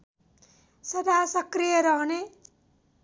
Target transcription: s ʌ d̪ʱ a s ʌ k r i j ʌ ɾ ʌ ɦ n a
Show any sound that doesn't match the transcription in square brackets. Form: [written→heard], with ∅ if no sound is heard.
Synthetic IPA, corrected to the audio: s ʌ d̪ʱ a s ʌ k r i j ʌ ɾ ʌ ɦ n [a→e]

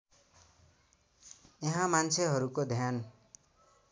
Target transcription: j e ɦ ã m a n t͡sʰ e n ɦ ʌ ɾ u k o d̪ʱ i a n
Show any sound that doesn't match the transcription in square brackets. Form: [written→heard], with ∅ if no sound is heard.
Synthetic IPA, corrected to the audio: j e ɦ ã m a n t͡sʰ e [n→∅] ɦ ʌ ɾ u k o d̪ʱ [i→j] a n

